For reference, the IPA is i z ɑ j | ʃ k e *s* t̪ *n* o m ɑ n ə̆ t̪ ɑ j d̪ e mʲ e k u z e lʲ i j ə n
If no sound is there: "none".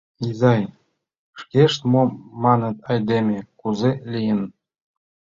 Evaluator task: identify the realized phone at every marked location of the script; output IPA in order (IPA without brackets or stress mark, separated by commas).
ʃ, m